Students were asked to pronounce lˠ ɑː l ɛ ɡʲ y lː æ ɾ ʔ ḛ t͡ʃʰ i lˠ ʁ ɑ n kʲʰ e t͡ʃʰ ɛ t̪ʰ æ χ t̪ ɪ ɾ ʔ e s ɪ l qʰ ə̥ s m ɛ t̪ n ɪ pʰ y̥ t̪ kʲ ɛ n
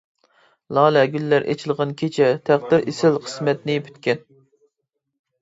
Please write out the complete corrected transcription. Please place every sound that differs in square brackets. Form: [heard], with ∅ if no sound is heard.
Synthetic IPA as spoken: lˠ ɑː l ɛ ɡʲ y lː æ ɾ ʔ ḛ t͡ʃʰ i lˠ ʁ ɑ n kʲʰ e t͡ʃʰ ɛ t̪ʰ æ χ [d̪] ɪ ɾ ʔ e s ɪ l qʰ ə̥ s m ɛ t̪ n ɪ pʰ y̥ t̪ kʲ ɛ n